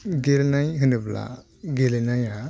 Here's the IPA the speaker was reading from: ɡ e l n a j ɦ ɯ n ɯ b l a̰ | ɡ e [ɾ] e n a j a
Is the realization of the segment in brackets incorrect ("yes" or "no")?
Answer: yes